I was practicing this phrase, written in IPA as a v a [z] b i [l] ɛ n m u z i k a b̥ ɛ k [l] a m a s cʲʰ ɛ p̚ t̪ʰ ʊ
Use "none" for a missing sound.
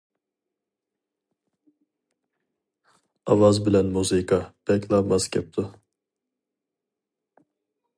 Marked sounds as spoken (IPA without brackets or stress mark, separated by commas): z, l, l